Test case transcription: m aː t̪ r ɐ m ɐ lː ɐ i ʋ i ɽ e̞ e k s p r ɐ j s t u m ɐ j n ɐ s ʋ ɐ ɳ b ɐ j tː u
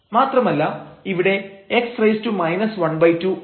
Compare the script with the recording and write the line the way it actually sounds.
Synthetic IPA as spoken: m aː t̪ r ɐ m ɐ lː ɐ i ʋ i ɽ e̞ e k s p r ɐ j s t u m ɐ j n ɐ s ʋ ɐ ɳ b ɐ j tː u